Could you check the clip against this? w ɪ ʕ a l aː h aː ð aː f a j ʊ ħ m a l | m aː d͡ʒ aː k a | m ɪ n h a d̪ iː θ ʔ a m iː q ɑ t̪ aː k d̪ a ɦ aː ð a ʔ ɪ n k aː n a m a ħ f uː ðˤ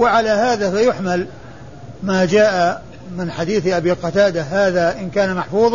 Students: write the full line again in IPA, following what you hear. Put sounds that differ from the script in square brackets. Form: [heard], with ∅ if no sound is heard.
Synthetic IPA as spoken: w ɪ ʕ a l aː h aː ð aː f a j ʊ ħ m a l | m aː d͡ʒ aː [ʔ] a | m ɪ n [ħ] a d̪ iː θ ʔ a [b] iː q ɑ t̪ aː [∅] d̪ a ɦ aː ð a ʔ ɪ n k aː n a m a ħ f uː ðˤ